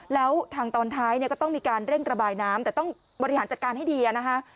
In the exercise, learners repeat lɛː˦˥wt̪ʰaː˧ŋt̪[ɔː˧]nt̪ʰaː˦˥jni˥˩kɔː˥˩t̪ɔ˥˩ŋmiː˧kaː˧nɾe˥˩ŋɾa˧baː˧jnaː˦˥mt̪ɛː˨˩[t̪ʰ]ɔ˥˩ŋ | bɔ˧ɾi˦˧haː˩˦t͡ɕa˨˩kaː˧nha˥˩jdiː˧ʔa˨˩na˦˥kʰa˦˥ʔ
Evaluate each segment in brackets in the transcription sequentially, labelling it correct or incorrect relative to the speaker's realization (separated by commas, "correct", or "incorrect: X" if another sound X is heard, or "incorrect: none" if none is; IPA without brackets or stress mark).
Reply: correct, incorrect: t̪